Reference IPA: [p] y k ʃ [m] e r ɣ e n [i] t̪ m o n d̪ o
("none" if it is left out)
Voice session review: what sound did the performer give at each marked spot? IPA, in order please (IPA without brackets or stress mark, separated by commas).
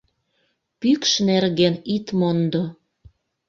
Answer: p, n, i